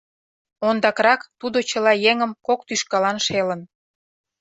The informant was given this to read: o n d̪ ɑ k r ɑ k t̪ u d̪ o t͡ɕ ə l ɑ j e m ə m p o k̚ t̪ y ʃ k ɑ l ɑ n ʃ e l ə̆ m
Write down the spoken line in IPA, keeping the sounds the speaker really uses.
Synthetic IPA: o n d̪ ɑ k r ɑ k t̪ u d̪ o t͡ɕ ə l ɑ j e ŋ ə m k o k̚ t̪ y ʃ k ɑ l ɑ n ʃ e l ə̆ n